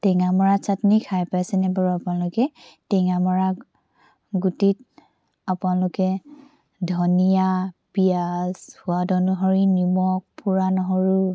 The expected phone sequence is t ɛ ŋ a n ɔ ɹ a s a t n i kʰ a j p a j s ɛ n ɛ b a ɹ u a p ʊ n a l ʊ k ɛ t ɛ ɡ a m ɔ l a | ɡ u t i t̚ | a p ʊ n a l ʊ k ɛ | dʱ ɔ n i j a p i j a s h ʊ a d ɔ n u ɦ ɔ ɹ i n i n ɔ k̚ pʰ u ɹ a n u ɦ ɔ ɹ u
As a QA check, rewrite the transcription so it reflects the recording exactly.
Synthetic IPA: t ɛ ŋ a m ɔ ɹ a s a t n i kʰ a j p a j s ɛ n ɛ b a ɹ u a p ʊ n a l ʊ k ɛ t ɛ ŋ a m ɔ ɹ a | ɡ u t i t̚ | a p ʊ n a l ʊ k ɛ | dʱ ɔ n i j a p i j a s h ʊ a d ɔ n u ɦ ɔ ɹ i n i m ɔ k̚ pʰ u ɹ a n ɔ ɦ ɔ ɹ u

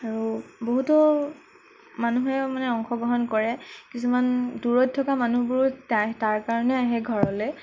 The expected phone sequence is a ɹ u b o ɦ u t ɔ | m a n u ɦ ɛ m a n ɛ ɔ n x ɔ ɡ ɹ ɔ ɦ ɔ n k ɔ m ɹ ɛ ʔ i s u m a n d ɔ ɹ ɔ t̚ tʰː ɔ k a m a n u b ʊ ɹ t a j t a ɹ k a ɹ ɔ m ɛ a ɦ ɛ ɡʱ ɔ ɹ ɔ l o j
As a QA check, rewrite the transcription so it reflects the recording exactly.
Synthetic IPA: a ɹ u b o ɦ u t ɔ | m a n u ɦ ɛ m a n ɛ ɔ ŋ x ɔ ɡ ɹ ɔ ɦ ɔ n k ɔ ɹ ɛ k i s u m a n d u ɹ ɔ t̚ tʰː ɔ k a m a n u b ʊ ɹ t a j t a ɹ k a ɹ ɔ n ɛ a ɦ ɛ ɡʱ ɔ ɹ ɔ l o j

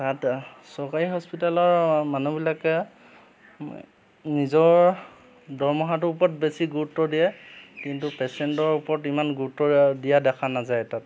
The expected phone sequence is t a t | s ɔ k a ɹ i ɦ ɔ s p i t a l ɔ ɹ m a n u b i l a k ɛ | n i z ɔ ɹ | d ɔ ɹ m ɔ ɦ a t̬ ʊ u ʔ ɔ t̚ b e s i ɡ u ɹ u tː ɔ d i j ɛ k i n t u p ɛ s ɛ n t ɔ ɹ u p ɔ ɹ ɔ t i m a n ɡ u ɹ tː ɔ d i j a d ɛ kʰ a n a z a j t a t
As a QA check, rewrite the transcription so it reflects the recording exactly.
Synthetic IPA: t a t | s ɔ k a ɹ i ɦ ɔ s p i t a l ɔ ɹ m a n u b i l a k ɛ | n i z ɔ ɹ | d ɔ ɹ m ɔ ɦ a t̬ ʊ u p ɔ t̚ b e s i ɡ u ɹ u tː ɔ d i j ɛ k i n t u p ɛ s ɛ n t ɔ ɹ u p ɔ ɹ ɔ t i m a n ɡ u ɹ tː ɔ d i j a d ɛ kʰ a n a z a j t a t

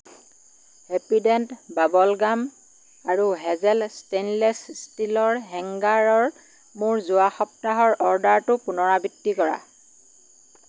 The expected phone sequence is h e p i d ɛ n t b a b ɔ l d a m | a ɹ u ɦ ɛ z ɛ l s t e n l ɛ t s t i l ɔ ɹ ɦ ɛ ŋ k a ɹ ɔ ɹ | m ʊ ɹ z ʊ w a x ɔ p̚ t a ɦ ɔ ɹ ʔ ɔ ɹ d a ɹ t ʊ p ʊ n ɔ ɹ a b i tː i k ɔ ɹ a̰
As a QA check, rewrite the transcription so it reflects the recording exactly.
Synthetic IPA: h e p i d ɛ n t b a b ɔ l ɡ a m | a ɹ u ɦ ɛ z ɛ l s t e n l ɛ s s t i l ɔ ɹ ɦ ɛ ŋ ɡ a ɹ ɔ ɹ | m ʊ ɹ z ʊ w a x ɔ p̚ t a ɦ ɔ ɹ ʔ ɔ ɹ d a ɹ t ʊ p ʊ n ɔ ɹ a b i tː i k ɔ ɹ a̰

